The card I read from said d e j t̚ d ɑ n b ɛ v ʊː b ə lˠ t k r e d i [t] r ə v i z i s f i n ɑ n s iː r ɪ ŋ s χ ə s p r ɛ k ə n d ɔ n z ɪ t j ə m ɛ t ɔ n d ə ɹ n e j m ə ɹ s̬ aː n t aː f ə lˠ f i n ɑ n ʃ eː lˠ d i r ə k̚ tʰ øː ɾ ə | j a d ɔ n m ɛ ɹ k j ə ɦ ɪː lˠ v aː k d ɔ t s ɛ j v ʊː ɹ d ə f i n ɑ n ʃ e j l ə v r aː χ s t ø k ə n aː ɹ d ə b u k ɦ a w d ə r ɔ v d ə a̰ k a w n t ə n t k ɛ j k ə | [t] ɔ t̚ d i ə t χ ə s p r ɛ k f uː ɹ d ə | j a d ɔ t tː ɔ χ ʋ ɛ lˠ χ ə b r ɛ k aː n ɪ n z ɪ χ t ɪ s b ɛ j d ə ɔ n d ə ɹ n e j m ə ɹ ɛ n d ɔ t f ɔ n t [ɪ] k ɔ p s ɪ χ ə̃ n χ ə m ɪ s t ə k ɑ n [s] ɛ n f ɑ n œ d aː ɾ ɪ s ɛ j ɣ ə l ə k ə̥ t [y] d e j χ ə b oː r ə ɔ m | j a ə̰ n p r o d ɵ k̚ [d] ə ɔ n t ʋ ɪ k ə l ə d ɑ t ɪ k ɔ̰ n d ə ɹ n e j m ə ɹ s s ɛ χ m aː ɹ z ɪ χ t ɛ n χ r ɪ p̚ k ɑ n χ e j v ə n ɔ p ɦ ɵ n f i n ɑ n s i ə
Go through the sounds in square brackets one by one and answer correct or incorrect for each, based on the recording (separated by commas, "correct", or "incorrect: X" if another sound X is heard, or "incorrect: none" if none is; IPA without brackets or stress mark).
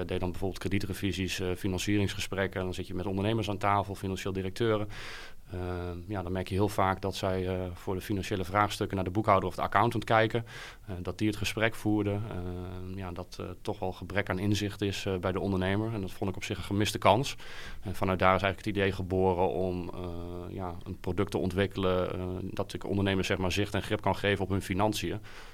correct, incorrect: d, correct, correct, incorrect: i, incorrect: t